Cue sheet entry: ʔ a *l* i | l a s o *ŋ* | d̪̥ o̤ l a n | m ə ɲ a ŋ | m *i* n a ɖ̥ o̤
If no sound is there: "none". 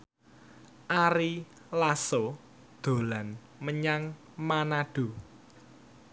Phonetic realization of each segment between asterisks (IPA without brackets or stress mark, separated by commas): ɾ, none, a